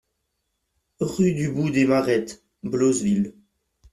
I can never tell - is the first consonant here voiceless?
no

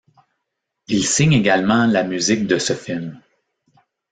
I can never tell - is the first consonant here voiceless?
no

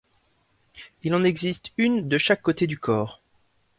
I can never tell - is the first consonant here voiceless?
no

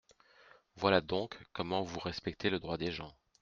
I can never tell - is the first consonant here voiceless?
no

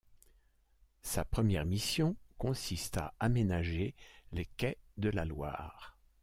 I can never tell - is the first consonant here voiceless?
yes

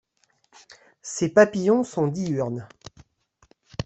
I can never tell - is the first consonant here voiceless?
yes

